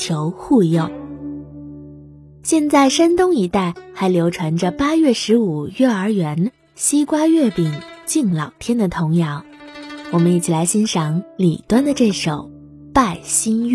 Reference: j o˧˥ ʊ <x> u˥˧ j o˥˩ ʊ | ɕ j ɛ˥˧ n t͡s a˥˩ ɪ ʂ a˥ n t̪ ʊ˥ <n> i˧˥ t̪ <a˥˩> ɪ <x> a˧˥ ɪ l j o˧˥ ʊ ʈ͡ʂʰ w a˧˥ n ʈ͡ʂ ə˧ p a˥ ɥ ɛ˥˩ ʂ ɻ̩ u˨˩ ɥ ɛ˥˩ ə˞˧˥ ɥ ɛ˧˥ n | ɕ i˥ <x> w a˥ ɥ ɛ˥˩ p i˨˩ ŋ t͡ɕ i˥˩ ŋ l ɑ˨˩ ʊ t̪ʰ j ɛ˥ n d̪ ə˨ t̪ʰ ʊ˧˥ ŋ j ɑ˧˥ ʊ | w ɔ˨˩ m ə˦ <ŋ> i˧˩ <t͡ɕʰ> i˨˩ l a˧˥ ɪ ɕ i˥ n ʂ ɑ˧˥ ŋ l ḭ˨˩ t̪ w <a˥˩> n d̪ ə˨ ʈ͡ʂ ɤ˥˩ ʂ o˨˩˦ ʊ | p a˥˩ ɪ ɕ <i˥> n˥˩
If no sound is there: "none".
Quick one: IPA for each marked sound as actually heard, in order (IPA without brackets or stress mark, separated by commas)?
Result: x, ŋ, a˥˩, x, k, n, t͡ɕʰ, a˥, i˥